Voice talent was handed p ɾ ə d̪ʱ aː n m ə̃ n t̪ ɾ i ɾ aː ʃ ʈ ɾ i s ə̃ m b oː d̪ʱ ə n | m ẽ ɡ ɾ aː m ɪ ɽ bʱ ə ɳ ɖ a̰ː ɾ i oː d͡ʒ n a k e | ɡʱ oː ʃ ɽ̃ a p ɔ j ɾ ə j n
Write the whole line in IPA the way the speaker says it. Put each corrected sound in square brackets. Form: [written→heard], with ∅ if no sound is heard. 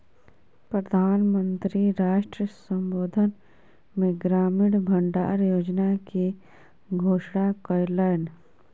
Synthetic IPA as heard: p ɾ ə d̪ʱ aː n m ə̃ n t̪ ɾ i ɾ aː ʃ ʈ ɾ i s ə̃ m b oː d̪ʱ ə n | m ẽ ɡ ɾ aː m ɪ ɽ bʱ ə ɳ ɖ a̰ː ɾ [i→j] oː d͡ʒ n a k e | ɡʱ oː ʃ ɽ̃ a [p→k] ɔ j [ɾ→l] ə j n